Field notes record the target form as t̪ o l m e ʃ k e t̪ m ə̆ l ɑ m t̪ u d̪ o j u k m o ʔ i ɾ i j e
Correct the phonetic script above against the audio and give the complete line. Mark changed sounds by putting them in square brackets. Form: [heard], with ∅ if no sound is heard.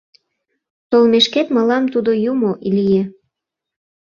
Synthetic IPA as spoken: t̪ o l m e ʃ k e t̪ m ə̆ l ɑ m t̪ u d̪ o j u [∅] m o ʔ i [l] i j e